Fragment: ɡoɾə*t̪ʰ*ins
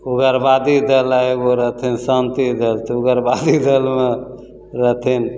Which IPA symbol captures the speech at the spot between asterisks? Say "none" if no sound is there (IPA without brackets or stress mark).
t̪ʰ